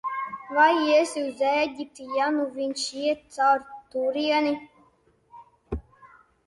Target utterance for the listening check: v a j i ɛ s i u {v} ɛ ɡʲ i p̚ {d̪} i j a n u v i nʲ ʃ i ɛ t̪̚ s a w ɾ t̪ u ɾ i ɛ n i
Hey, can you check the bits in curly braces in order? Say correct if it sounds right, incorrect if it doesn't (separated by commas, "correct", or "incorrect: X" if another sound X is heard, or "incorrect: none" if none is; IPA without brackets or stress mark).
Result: incorrect: z, incorrect: t̪